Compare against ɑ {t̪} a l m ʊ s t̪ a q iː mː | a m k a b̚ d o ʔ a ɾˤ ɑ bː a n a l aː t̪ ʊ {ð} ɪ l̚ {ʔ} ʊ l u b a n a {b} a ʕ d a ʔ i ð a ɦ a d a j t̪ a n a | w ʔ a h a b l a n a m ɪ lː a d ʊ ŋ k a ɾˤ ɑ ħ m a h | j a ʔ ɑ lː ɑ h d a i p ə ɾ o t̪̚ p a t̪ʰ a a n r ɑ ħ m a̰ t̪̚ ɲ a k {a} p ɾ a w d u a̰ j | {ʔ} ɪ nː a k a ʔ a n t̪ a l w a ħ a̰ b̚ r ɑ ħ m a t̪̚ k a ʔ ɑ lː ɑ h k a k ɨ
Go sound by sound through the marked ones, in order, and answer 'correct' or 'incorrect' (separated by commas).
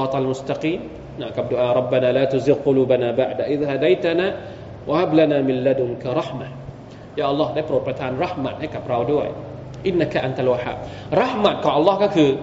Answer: correct, incorrect, incorrect, correct, correct, correct